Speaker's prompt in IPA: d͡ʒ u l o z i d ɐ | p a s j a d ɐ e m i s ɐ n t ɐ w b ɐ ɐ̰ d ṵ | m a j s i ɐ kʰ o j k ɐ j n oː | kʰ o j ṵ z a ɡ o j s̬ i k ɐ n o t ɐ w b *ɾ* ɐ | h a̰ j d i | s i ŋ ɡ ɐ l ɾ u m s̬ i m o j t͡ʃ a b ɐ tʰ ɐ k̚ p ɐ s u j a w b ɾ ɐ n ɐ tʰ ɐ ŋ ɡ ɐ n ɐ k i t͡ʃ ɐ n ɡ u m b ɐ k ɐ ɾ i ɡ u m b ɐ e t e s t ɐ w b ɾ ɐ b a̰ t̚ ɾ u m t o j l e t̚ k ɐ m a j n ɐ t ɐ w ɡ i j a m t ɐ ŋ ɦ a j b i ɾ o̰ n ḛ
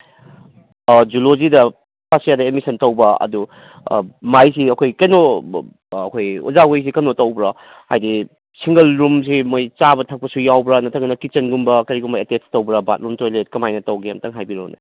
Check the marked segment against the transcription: correct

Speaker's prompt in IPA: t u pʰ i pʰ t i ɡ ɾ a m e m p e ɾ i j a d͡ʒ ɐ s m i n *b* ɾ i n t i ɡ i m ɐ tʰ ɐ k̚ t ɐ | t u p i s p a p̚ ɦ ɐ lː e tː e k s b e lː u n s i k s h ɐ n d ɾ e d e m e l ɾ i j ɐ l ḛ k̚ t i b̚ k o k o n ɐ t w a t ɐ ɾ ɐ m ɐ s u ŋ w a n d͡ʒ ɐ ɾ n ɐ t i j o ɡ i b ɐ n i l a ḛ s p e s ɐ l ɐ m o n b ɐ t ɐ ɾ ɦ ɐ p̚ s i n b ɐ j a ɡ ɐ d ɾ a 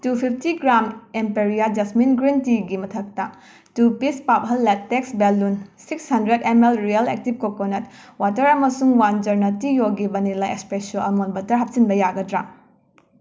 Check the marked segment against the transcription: incorrect: ɡ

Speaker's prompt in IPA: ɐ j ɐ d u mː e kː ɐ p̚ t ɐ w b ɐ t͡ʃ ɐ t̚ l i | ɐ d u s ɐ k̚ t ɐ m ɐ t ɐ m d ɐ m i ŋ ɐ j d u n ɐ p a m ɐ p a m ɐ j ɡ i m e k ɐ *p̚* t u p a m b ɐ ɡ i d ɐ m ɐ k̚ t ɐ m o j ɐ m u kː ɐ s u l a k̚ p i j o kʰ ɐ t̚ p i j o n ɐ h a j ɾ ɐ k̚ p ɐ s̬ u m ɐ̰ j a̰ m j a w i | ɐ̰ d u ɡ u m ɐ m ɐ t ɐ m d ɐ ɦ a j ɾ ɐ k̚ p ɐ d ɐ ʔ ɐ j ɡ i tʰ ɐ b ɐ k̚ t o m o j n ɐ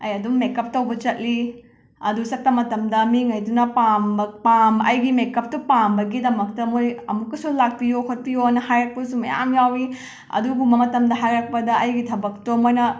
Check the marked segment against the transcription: correct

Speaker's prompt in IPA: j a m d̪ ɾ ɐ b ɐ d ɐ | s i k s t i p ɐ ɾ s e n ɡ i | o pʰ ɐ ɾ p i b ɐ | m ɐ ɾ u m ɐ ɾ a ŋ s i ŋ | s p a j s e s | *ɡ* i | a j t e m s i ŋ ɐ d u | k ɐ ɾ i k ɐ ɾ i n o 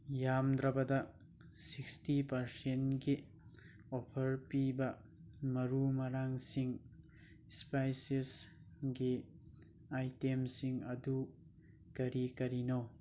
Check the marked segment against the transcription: correct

